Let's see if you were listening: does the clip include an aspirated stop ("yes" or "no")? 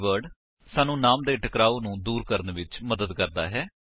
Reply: no